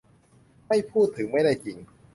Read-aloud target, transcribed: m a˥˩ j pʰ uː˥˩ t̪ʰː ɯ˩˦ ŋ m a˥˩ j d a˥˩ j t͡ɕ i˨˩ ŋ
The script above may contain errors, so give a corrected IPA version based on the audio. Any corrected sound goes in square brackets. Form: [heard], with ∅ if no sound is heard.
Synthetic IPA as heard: m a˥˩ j pʰ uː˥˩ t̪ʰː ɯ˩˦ ŋ m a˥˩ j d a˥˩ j t͡ɕ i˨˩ ŋ